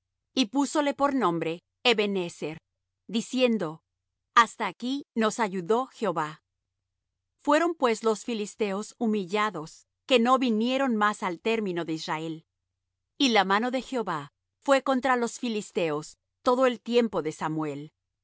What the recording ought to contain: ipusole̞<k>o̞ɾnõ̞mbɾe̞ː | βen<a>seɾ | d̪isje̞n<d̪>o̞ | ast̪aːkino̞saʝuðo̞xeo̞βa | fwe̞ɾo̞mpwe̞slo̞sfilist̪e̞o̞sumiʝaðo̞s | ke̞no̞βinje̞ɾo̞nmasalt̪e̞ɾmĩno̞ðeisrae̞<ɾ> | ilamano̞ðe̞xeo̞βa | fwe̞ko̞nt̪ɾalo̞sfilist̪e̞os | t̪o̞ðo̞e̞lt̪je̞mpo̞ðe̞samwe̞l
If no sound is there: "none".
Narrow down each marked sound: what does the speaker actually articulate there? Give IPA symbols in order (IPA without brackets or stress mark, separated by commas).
p, e, d̪, l